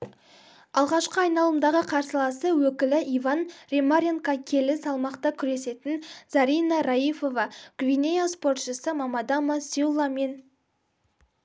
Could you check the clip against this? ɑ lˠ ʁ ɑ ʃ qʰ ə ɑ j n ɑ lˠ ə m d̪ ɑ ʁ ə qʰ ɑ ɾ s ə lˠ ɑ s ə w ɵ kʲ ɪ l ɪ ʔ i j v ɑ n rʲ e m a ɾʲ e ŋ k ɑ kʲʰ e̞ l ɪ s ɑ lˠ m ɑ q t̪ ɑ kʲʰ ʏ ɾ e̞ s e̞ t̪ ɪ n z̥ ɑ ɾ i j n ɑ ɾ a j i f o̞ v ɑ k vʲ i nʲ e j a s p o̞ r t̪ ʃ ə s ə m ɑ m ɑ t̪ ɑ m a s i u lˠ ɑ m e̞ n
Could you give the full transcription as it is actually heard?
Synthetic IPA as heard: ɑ lˠ ʁ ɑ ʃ q ə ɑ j n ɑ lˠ ə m d̪ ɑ ʁ ə qʰ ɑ ɾ s ə lˠ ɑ s ə w ɵ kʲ ɪ l ɪ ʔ i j v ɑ n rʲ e m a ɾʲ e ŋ k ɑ kʲʰ e̞ l ɪ s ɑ lˠ m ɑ q t̪ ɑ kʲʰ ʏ ɾ e̞ s e̞ t̪ ɪ n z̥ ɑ ɾ i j n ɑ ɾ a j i f o̞ v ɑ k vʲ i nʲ e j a s p o̞ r t̪ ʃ ə s ə m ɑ m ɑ d̪ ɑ m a s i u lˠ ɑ m e̞ n

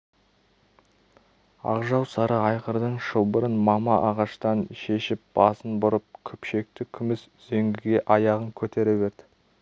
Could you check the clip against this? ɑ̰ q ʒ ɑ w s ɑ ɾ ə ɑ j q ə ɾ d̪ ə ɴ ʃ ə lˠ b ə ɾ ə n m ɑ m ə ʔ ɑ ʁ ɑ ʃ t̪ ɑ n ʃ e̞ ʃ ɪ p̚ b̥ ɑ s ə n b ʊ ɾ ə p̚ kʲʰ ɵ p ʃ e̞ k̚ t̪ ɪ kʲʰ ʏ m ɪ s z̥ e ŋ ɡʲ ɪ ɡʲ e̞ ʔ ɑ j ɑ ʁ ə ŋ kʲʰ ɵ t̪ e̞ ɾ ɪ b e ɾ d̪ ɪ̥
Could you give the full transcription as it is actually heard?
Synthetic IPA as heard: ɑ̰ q ʒ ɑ w s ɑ ɾ ə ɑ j q ə ɾ d̪ ə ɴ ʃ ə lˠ b ə ɾ ə n m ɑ m ɑ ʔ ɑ ʁ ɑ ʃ t̪ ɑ n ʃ e̞ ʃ ɪ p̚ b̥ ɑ s ə n b ʊ ɾ ə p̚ kʲʰ ɵ p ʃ e̞ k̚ t̪ ɪ kʲʰ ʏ m ɪ s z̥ e ŋ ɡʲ ɪ ɡʲ e̞ ʔ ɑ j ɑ ʁ ə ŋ kʲʰ ɵ t̪ e̞ ɾ ɪ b e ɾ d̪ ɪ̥

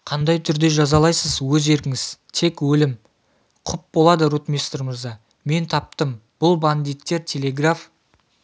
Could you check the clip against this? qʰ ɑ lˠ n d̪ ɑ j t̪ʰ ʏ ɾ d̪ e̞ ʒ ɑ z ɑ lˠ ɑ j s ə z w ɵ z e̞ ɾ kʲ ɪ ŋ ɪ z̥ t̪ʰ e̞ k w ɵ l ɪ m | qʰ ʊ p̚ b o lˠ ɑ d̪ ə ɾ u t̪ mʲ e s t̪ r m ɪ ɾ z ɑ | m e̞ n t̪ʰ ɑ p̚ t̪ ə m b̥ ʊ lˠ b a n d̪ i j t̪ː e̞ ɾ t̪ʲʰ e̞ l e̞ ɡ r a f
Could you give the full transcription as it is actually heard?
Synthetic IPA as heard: qʰ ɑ n d̪ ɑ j t̪ʰ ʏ ɾ d̪ e̞ ʒ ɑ z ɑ lˠ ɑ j s ə z w ɵ z e̞ ɾ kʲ ɪ ŋ ɪ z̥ t̪ʰ e̞ k w ɵ l ɪ m | qʰ ʊ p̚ b o lˠ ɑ d̪ ə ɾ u t̪ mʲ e s t̪ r m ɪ ɾ z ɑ | m e̞ n t̪ʰ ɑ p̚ t̪ ə m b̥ ʊ lˠ b a n d̪ i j t̪ː e̞ ɾ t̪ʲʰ e̞ l e̞ ɡ r a f

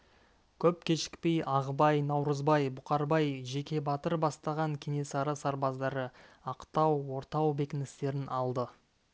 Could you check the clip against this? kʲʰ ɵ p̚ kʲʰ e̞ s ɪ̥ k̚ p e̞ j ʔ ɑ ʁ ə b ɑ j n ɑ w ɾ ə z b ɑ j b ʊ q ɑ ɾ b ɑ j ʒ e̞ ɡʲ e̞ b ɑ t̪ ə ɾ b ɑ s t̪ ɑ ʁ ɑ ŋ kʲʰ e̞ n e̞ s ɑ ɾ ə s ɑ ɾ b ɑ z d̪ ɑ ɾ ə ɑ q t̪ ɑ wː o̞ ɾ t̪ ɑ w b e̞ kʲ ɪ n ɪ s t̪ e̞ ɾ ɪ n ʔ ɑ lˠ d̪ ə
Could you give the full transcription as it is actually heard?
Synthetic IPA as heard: kʲʰ ɵ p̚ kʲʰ e̞ ʃ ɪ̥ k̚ p e̞ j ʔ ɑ ʁ ə b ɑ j n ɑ w ɾ ə z b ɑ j b ʊ q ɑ ɾ b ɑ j ʒ e̞ kʲ e̞ b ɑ t̪ ə ɾ b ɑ s t̪ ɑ ʁ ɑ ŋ kʲʰ e̞ n e̞ s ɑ ɾ ə s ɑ ɾ b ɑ z d̪ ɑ ɾ ə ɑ q t̪ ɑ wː o̞ ɾ t̪ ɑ w b e̞ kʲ ɪ n ɪ s t̪ e̞ ɾ ɪ n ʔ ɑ lˠ d̪ ə

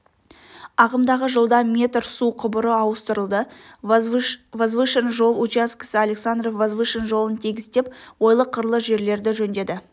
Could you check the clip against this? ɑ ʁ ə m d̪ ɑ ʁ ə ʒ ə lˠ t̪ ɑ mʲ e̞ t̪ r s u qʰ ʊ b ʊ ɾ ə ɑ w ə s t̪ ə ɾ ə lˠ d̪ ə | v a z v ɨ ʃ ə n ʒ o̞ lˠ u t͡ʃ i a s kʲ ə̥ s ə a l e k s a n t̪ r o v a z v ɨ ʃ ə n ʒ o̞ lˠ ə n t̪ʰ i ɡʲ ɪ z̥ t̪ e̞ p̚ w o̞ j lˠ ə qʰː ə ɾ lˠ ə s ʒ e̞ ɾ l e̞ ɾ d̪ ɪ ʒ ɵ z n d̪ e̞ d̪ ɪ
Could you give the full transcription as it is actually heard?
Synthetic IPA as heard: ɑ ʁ ə m d̪ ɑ ʁ ə ʒ ə lˠ d̪ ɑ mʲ e̞ t̪ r s u qʰ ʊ b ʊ ɾ ə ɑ w ə s t̪ ə ɾ ə lˠ d̪ ə | v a z v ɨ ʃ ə n ʒ o̞ lˠ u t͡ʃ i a s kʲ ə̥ s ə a l e k s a n d̪ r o v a z v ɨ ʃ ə n ʒ o̞ lˠ ə n t̪ʰ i ɡʲ ɪ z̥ t̪ e̞ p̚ w o̞ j lˠ ə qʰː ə ɾ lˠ ə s ʒ e̞ ɾ l e̞ ɾ d̪ ɪ ʒ ɵ n d̪ e̞ d̪ ɪ

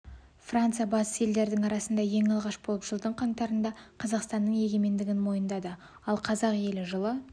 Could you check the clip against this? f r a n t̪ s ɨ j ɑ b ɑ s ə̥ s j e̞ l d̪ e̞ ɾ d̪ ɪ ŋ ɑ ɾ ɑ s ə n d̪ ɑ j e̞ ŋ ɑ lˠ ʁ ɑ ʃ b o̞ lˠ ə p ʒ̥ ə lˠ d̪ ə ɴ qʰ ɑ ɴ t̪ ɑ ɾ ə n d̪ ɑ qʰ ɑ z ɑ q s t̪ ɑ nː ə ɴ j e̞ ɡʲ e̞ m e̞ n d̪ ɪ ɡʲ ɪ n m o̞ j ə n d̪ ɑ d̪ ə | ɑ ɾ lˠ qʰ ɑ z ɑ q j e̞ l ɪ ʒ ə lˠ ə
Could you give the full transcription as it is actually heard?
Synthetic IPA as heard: f r a n t̪ s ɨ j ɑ b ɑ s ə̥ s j e̞ l d̪ e̞ ɾ d̪ ɪ ŋ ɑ ɾ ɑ s ə n d̪ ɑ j e̞ ŋ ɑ lˠ ʁ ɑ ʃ b o̞ lˠ ə p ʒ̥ ə lˠ d̪ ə ɴ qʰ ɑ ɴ t̪ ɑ ɾ ə n d̪ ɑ qʰ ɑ z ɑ q s t̪ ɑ nː ə ɴ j e̞ ɡʲ e̞ m e̞ n d̪ ɪ ɡʲ ɪ n m o̞ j ə n d̪ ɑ d̪ ə | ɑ lˠ qʰ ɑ z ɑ q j e̞ l ɪ ʒ ə lˠ ə

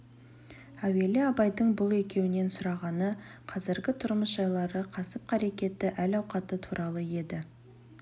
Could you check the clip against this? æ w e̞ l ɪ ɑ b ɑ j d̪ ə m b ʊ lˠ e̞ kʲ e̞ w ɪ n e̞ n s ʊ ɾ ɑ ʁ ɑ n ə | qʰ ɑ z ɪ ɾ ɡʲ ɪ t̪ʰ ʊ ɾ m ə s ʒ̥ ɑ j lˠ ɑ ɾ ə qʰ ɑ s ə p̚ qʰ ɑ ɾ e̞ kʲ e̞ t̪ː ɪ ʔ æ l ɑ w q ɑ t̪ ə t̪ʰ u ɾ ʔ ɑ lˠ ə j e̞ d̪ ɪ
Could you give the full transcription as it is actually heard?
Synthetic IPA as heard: æ w e̞ l ɪ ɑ b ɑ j d̪ ə ɴ b ʊ lˠ e̞ kʲ e̞ w ɪ n e̞ n s ʊ ɾ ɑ ʁ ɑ n ə | qʰ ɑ z ɪ ɾ ɡʲ ɪ t̪ʰ ʊ ɾ m ə s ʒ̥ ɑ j lˠ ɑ ɾ ə qʰ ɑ s ə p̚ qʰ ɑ ɾ e̞ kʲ e̞ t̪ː ɪ ʔ æ l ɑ w q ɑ t̪ ə t̪ʰ u ɾ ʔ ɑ lˠ ə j e̞ d̪ ɪ

